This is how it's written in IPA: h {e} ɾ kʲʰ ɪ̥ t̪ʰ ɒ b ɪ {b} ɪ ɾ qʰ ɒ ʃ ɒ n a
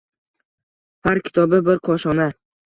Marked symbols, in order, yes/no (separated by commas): no, yes